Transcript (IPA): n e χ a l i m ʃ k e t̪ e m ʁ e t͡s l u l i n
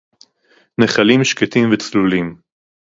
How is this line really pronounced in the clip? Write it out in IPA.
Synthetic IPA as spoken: n e χ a l i m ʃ k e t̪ i m v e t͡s l u l i m